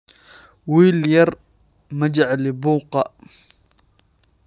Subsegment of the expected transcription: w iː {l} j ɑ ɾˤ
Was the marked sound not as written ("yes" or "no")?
no